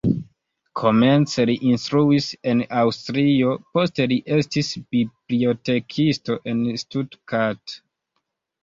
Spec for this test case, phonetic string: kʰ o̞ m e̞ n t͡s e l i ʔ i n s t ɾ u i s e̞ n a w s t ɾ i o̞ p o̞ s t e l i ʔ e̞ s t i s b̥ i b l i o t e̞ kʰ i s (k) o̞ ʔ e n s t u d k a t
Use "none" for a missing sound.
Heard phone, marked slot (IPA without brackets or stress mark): t